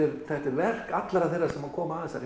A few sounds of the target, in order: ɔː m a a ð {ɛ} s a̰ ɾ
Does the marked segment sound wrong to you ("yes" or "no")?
no